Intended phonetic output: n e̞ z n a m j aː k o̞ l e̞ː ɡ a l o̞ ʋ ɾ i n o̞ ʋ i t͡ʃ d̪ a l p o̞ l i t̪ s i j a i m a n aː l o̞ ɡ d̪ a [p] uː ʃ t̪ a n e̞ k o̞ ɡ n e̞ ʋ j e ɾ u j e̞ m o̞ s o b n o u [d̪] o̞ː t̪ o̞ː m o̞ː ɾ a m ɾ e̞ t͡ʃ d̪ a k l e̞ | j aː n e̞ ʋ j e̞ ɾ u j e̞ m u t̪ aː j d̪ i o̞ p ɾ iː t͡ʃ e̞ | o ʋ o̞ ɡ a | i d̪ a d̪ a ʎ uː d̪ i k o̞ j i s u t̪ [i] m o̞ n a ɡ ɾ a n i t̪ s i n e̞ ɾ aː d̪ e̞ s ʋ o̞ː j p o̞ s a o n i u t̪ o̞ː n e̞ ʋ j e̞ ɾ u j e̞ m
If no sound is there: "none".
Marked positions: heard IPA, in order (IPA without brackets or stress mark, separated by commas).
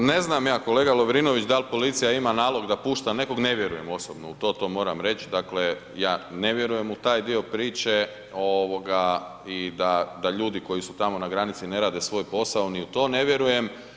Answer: p, t̪, a